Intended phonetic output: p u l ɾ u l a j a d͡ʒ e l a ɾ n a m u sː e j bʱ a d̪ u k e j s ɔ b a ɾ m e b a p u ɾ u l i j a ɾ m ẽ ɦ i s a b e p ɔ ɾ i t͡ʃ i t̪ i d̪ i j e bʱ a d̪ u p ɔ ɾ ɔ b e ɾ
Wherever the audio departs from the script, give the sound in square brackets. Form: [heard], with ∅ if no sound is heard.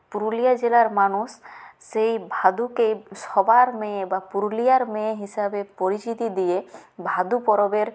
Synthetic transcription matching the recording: p u [∅] ɾ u l [i] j a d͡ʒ e l a ɾ [m] a [n] u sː e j bʱ a d̪ u k e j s ɔ b a ɾ m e b a p u ɾ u l i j a ɾ m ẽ ɦ i s a b e p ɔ ɾ i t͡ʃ i t̪ i d̪ i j e bʱ a d̪ u p ɔ ɾ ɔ b e ɾ